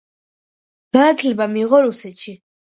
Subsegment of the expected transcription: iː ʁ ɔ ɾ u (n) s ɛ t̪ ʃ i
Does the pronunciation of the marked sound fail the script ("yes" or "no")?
yes